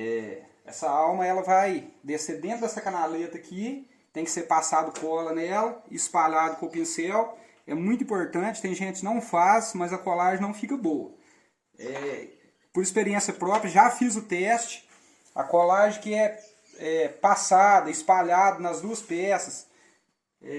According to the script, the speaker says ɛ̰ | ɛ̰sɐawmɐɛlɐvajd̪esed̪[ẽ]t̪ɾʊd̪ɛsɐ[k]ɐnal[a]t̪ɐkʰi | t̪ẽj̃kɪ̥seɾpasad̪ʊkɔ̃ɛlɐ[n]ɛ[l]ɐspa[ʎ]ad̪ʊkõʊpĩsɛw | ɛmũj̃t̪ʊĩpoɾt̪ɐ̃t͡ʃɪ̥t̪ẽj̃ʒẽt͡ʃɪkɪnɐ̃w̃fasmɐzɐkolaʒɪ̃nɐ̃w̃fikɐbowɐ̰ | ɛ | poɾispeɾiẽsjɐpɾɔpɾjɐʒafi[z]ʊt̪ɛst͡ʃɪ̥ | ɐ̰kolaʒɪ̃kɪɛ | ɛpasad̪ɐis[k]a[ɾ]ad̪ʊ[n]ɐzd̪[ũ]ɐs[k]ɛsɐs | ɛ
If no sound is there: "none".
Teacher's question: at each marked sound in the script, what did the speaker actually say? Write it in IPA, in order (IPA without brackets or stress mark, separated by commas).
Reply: ẽ, k, e, n, l, ʎ, z, p, ʎ, n, u, p